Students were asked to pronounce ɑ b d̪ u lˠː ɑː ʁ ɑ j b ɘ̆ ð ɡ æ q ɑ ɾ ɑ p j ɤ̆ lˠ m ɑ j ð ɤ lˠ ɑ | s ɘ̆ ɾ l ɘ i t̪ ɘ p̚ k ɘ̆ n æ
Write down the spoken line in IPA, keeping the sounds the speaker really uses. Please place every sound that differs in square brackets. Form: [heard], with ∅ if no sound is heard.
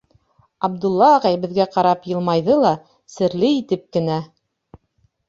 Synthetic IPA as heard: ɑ b d̪ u lˠː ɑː ʁ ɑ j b ɘ̆ ð ɡ æ q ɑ ɾ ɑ p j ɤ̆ lˠ m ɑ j ð ɤ lˠ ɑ | s ɘ̆ ɾ l ɘ i t̪ ɘ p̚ k ɘ̆ n æ